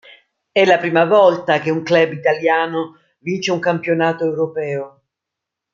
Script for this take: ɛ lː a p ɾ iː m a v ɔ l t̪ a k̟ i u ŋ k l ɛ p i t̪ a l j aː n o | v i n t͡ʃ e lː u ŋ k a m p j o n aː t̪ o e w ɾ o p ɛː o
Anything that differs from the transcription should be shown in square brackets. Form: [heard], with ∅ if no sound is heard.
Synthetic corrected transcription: ɛ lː a p ɾ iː m a v ɔ l t̪ a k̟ [e] u ŋ k l ɛ [b] i t̪ a l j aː n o | v i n t͡ʃ e [∅] u ŋ k a m p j o n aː t̪ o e w ɾ o p ɛː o

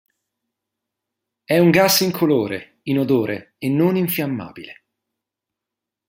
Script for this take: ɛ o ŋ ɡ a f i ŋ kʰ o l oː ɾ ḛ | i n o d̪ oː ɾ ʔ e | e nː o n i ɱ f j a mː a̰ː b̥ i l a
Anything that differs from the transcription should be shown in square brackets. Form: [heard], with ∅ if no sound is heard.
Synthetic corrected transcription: ɛ [u] ŋ ɡ a [s] i ŋ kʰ o l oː ɾ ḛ | i n o d̪ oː ɾ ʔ e | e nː o n i ɱ f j a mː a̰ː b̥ i l [e]

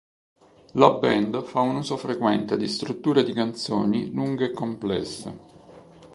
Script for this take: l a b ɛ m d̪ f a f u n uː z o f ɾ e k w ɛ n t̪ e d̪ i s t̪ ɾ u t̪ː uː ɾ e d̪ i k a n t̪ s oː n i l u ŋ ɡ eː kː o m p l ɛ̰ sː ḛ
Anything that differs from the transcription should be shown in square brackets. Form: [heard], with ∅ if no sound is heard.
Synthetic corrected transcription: l a b ɛ [n] d̪ f a [∅] u n uː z o f ɾ e k w ɛ n t̪ e d̪ i s t̪ ɾ u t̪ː uː ɾ e d̪ i k a n t̪ s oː n i l u ŋ ɡ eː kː o m p l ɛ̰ sː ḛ

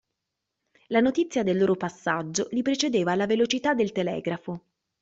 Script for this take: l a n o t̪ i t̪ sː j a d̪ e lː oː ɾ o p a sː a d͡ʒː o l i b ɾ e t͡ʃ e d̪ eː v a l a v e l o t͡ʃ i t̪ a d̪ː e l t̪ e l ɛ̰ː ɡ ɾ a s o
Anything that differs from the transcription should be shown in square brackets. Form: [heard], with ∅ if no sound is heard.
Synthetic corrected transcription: l a n o t̪ i t̪ sː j a d̪ e lː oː ɾ o p a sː a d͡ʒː o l i [p] ɾ e t͡ʃ e d̪ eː v a l a v e l o t͡ʃ i t̪ a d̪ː e l t̪ e l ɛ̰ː ɡ ɾ a [f] o

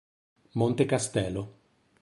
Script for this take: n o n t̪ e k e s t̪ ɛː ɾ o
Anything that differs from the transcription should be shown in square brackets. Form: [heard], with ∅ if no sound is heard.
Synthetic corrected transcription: [m] o n t̪ e k [a] s t̪ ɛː [l] o

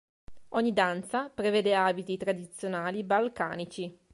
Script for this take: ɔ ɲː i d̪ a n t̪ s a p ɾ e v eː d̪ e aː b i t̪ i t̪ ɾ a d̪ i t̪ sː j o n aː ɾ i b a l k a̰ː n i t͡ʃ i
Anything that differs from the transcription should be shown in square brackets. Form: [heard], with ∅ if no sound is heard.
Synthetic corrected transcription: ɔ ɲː i d̪ a n t̪ s a p ɾ e v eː d̪ e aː b i t̪ i t̪ ɾ a d̪ i t̪ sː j o n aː [l] i b a l k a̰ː n i t͡ʃ i

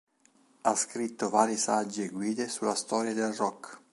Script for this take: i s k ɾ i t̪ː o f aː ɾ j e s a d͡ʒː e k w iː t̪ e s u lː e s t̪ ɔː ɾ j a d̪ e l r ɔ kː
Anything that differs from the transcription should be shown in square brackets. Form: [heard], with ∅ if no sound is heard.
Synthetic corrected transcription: [a] s k ɾ i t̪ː o [v] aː ɾ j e s a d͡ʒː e [ɡ] w iː [d̪] e s u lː [a] s t̪ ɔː ɾ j a d̪ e l r ɔ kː

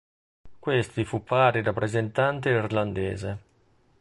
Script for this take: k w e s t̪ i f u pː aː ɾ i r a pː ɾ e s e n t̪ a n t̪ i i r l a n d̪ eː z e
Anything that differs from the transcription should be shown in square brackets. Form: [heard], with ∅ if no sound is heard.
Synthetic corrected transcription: k w e s t̪ i f u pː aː ɾ i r a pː ɾ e [z] e n t̪ a n t̪ [e] i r l a n d̪ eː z e

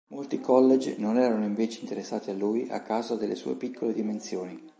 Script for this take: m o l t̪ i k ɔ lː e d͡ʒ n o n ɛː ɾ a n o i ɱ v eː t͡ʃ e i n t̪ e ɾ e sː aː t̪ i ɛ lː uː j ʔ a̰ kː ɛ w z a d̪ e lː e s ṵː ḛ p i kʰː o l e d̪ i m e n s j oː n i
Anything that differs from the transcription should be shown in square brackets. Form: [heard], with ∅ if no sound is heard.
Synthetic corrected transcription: m o l t̪ i k ɔ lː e d͡ʒ n o n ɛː ɾ a n o i ɱ v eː t͡ʃ e i n t̪ e ɾ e sː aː t̪ i [a] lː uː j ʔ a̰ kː [a] w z a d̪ e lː e s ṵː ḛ p i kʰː o l e d̪ i m e n s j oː n i

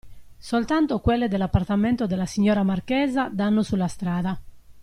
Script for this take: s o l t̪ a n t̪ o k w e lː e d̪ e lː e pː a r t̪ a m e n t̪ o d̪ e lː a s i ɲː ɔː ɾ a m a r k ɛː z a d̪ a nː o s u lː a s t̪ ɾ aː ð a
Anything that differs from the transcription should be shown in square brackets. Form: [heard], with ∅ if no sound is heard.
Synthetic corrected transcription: s o l t̪ a n t̪ o k w e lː e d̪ e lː [a] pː a r t̪ a m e n t̪ o d̪ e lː a s i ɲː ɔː ɾ a m a r k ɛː z a d̪ a nː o s u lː a s t̪ ɾ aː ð a

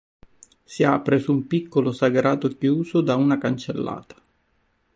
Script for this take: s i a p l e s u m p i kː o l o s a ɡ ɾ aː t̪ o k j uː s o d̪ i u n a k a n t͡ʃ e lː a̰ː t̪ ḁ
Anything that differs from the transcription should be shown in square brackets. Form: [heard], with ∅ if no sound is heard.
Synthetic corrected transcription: s i a p [ɾ] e s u m p i kː o l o s a ɡ ɾ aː t̪ o k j uː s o d̪ [a] u n a k a n t͡ʃ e lː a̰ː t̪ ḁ

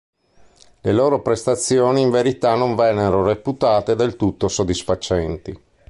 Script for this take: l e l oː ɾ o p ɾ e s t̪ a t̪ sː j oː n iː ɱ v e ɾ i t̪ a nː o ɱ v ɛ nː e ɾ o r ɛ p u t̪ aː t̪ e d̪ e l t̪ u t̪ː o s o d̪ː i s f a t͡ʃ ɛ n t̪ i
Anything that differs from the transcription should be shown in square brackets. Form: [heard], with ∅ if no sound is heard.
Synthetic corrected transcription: l e l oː ɾ o p ɾ e s t̪ a t̪ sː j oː n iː ɱ v e ɾ i t̪ a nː o ɱ v ɛ nː e ɾ o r [e] p u t̪ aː t̪ e d̪ e l t̪ u t̪ː o s o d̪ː i s f a t͡ʃ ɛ n t̪ i

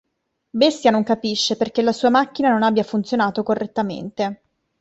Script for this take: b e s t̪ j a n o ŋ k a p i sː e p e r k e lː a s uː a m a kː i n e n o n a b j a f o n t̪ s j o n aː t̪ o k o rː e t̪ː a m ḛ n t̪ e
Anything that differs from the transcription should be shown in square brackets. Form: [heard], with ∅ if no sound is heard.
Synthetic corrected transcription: b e s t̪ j a n o ŋ k a p i [ʃː] e p e r k e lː a s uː a m a kː i n [a] n o n a b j a f [u] n t̪ s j o n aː t̪ o k o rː e t̪ː a m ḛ n t̪ e

